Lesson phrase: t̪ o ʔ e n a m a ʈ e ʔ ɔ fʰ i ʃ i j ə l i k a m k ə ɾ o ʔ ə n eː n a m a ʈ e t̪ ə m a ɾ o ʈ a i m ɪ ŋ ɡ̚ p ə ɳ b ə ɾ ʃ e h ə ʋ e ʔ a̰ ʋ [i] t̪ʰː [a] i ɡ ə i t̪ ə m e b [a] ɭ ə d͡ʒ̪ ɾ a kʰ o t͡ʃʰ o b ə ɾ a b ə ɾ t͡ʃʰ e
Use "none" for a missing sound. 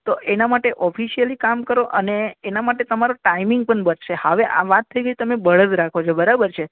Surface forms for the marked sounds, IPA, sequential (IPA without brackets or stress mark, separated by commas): a, ə, ə